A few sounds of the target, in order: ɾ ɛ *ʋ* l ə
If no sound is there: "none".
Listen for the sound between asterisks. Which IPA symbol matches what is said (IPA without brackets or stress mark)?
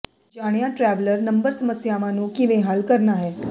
ʋ